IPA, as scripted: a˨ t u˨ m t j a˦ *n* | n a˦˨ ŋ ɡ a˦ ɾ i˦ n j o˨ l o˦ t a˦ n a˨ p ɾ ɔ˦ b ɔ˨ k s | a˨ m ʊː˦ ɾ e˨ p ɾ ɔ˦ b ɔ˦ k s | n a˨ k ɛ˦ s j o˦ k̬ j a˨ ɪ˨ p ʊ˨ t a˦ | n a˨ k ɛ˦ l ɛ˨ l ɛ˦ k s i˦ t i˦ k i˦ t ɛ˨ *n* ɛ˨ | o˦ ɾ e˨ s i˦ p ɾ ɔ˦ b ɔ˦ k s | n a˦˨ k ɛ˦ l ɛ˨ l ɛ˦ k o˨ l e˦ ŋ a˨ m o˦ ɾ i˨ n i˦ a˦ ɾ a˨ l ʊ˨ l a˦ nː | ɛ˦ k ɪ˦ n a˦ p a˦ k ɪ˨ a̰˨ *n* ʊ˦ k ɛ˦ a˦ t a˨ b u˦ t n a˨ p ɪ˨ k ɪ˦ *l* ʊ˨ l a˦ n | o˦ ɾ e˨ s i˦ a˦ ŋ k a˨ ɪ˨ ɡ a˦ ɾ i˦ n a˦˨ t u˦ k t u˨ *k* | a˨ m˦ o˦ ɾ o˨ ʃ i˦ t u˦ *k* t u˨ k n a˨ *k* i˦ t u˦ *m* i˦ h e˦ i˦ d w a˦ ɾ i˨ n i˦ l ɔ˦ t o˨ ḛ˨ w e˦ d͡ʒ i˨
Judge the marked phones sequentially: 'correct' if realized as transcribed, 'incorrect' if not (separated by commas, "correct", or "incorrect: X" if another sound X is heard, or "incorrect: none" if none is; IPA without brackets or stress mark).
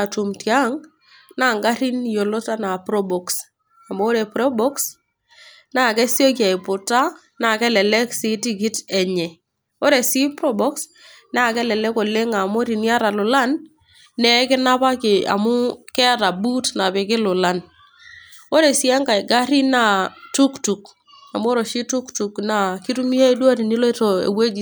incorrect: ŋ, incorrect: ɲ, incorrect: m, correct, correct, correct, correct, correct